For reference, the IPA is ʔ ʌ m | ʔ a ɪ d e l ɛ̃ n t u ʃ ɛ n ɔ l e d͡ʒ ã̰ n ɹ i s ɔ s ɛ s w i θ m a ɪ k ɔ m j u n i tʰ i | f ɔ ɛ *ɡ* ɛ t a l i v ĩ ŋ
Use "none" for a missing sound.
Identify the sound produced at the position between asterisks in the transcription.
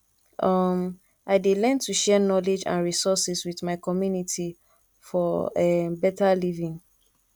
b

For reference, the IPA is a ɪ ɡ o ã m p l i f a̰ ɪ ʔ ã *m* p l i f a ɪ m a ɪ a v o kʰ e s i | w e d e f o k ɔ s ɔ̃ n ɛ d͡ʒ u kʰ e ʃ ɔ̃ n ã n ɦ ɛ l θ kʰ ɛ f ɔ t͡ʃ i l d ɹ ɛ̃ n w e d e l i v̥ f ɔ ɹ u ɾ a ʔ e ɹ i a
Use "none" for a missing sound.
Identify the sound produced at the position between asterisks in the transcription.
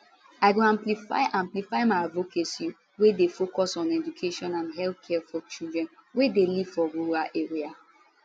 m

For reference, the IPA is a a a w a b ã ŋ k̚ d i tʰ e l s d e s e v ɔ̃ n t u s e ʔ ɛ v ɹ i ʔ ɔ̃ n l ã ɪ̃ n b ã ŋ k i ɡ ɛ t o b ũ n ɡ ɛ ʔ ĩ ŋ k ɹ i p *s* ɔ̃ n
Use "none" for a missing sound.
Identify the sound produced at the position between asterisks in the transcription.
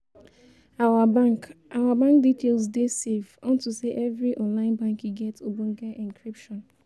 ʃ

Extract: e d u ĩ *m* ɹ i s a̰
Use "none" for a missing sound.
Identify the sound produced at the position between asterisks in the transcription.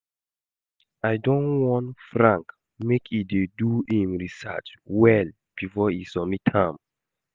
m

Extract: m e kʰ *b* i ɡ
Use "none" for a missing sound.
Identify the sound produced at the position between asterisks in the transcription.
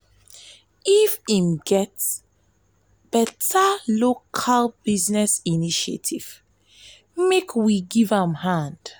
w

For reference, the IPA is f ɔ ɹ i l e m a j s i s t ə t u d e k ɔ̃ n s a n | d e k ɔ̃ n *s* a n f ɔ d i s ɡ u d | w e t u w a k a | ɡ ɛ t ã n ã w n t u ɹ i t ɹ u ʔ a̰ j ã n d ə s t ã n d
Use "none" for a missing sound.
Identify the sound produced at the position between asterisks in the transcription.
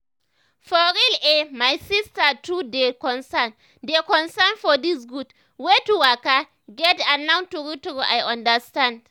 s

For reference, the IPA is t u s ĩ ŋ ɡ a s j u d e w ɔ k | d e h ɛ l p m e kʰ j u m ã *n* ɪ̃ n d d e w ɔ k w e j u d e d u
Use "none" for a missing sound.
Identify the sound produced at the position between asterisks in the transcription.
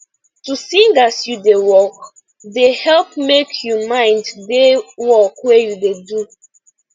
none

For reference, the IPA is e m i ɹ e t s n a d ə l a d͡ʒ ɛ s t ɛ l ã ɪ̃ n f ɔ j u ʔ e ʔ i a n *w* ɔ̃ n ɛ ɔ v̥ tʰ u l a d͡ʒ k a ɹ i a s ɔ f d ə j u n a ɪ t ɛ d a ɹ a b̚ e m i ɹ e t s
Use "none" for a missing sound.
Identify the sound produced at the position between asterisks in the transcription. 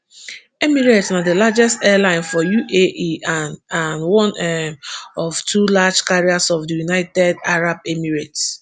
w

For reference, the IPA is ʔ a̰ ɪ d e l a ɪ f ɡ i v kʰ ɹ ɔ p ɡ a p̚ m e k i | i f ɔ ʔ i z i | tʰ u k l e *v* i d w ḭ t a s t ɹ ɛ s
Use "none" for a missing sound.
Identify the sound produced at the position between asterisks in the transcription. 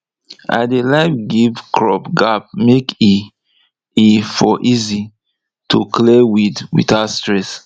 w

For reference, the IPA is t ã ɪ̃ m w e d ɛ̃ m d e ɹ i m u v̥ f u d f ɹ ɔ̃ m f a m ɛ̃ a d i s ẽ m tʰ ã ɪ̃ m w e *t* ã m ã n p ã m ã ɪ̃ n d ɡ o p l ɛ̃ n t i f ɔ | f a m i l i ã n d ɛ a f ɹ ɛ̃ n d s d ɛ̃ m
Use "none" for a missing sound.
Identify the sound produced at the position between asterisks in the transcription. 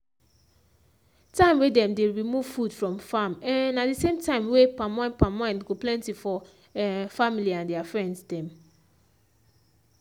p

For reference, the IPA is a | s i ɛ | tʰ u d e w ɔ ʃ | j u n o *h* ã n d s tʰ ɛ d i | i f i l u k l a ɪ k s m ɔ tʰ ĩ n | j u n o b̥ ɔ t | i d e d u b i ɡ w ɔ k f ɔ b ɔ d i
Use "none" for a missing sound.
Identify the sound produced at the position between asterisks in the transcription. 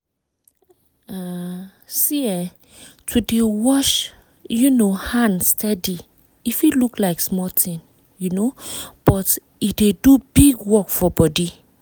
h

